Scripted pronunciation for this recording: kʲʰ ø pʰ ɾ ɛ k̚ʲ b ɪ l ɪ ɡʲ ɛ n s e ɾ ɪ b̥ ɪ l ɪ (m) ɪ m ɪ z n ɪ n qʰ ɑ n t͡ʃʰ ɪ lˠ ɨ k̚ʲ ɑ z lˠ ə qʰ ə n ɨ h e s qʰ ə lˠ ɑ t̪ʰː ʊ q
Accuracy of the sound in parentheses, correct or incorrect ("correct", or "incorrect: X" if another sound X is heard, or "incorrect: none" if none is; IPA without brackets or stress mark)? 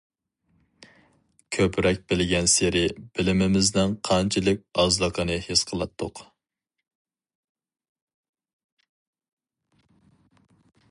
correct